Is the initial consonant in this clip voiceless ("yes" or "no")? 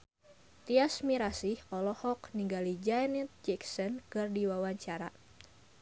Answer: yes